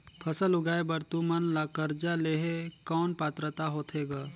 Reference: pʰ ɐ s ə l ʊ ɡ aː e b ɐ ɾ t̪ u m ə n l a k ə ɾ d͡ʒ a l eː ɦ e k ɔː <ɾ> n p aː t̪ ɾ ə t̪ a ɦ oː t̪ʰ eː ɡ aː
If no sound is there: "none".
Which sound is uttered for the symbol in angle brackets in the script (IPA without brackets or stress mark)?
none